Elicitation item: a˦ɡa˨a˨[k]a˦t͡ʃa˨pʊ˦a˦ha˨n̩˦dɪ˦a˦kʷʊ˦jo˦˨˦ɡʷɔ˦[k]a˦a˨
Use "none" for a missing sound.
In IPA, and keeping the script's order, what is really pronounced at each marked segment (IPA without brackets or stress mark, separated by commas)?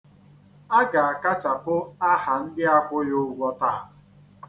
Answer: k, t